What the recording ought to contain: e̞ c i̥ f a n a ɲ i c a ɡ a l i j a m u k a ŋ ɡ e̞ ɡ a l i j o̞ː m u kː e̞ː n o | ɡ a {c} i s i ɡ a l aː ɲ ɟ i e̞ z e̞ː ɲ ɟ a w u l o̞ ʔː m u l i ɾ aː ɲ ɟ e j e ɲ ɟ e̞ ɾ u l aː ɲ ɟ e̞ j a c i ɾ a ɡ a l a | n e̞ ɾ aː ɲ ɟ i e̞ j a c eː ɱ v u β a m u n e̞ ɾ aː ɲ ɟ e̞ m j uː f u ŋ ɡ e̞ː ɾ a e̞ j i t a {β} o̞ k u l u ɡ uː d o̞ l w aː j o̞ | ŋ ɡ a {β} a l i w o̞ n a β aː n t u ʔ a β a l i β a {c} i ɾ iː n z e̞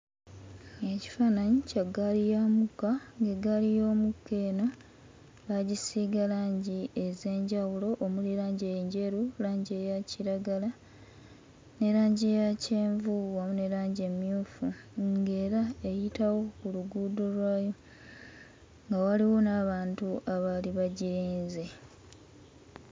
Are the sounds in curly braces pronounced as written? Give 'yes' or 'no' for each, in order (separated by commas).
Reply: no, no, no, no